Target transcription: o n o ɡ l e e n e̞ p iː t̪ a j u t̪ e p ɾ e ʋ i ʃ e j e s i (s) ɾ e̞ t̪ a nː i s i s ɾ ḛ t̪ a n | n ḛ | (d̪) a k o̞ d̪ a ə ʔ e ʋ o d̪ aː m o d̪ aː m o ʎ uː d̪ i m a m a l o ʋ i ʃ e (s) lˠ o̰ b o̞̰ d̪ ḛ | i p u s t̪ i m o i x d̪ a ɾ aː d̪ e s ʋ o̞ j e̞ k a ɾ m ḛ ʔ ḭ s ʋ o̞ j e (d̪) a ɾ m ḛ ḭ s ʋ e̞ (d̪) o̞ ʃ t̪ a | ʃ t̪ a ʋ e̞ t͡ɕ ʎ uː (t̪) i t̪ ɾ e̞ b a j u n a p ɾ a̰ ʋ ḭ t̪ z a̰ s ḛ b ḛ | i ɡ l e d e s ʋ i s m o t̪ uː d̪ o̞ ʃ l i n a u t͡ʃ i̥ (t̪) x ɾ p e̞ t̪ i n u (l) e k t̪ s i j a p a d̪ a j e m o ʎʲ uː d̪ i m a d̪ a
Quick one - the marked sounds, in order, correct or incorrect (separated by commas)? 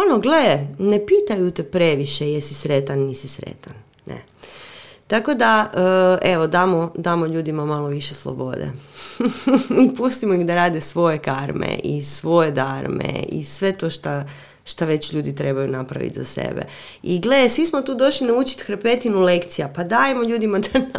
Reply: correct, incorrect, correct, correct, incorrect, incorrect, correct, correct